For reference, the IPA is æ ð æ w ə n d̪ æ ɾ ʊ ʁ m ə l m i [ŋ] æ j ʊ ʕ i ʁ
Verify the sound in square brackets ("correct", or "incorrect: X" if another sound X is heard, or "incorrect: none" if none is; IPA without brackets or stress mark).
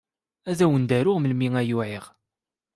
correct